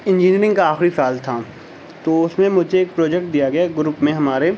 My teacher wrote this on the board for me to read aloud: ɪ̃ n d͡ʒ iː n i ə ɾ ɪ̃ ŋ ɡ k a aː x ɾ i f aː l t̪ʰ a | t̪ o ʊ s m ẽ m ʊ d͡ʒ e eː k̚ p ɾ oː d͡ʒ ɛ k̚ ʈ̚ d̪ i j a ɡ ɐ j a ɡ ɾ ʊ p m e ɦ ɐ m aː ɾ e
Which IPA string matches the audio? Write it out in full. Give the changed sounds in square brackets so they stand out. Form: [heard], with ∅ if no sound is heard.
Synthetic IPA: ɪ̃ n d͡ʒ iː n i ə ɾ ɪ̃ ŋ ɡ k a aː x ɾ i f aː l t̪ʰ a | t̪ o ʊ s m ẽ m ʊ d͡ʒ e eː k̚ p ɾ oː d͡ʒ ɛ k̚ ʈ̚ d̪ i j a ɡ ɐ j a ɡ ɾ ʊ p m [ẽ] ɦ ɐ m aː ɾ e

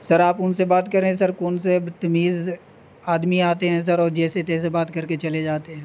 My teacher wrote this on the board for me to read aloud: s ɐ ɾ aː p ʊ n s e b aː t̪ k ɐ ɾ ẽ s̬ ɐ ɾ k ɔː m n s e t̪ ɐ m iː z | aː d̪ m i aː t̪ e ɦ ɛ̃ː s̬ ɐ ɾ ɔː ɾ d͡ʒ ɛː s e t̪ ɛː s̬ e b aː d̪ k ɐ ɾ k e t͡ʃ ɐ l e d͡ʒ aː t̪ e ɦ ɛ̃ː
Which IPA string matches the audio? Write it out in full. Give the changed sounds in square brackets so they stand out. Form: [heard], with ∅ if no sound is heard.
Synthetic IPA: s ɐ ɾ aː p ʊ n s e b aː t̪ k ɐ ɾ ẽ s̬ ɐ ɾ k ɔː [∅] n s e t̪ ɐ m iː z | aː d̪ m i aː t̪ e ɦ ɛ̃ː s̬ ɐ ɾ ɔː ɾ d͡ʒ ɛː s e t̪ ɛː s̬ e b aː [t̪] k ɐ ɾ k e t͡ʃ ɐ l e d͡ʒ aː t̪ e ɦ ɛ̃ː

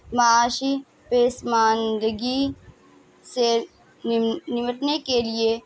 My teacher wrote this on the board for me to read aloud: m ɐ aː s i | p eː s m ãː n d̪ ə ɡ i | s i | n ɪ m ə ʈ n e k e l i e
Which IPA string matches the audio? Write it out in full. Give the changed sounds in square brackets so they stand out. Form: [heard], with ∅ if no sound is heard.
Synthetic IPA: m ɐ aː [ʃ] i | p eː s m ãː n d̪ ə ɡ i | s [e] | n ɪ m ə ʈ n e k e l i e

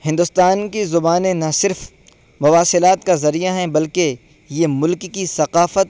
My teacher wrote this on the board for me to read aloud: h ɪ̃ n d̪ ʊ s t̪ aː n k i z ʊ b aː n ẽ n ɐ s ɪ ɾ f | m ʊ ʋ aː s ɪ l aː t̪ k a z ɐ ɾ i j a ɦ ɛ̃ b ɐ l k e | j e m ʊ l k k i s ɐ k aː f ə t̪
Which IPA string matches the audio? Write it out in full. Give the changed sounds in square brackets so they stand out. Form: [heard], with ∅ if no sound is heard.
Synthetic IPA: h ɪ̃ n d̪ ʊ s t̪ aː n k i z ʊ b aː n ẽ n ɐ s ɪ ɾ f | m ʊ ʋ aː s ɪ l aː t̪ k a z ɐ ɾ i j a ɦ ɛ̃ b ɐ l k e | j e m ʊ l k k i s ɐ [q] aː f ə t̪

